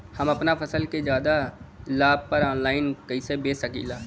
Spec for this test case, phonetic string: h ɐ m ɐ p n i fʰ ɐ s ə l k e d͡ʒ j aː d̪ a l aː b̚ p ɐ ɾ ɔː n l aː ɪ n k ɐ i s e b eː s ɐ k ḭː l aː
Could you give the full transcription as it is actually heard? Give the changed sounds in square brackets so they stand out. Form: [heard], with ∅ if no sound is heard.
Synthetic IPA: h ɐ m ɐ p n [a] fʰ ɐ s ə l k e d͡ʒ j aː d̪ a l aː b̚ p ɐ ɾ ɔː n l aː ɪ n k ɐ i s e b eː s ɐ k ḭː l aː